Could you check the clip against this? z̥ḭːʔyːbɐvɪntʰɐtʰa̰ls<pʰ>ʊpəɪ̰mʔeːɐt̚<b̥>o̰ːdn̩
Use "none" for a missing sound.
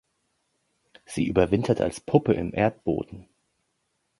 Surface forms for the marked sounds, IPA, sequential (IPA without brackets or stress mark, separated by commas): pʰ, b̥